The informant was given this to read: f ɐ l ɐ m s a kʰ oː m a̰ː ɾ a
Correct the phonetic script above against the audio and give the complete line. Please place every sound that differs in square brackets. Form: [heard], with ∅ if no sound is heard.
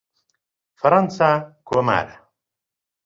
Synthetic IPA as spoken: f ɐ [ɾ] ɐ [n] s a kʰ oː m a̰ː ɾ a